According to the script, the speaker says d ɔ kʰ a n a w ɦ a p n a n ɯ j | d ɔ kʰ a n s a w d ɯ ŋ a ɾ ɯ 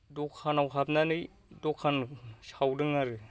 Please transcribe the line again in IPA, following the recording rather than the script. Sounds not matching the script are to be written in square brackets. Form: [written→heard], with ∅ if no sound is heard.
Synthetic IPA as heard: d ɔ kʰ a n a w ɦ a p n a n ɯ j | d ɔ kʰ a n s a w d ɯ ŋ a ɾ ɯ